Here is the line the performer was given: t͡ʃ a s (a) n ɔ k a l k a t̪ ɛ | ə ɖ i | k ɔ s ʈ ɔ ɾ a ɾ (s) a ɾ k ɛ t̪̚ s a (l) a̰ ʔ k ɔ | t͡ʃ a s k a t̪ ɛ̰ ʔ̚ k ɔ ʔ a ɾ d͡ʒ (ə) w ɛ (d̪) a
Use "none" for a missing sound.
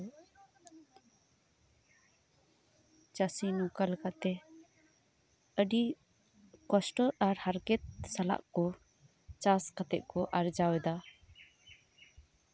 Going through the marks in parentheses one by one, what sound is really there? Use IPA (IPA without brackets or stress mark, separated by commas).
i, h, l, a, d̪